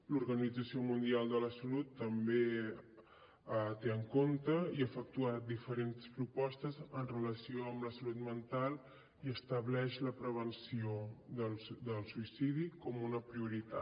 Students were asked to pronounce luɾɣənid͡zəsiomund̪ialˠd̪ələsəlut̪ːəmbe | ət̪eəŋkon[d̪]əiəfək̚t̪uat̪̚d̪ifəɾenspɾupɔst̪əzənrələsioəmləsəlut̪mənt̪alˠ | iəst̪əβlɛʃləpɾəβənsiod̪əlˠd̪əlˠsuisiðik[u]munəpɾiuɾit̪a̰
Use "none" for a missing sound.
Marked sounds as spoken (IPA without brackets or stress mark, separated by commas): t̪, ɔ